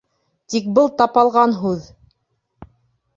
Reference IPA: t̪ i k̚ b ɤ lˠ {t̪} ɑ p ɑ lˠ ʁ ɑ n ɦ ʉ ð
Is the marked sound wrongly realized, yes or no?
no